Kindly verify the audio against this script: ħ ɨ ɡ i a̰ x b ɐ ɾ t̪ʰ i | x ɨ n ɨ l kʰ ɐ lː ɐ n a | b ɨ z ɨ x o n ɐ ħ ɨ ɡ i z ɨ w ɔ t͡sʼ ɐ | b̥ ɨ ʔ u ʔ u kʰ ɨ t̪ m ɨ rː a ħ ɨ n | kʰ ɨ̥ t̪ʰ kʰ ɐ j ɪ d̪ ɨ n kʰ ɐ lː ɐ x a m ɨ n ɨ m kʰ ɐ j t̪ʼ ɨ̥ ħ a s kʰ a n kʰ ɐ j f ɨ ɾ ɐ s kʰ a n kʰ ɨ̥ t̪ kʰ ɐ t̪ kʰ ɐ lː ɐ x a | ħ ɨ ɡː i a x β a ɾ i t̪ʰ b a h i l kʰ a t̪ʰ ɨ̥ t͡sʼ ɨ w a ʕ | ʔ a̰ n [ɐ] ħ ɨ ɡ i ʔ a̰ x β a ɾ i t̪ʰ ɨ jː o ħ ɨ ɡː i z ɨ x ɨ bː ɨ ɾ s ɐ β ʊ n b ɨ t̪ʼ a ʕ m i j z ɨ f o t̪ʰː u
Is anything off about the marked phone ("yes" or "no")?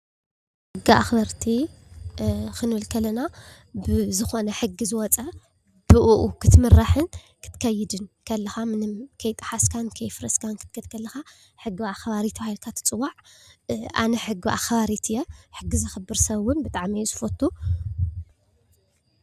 no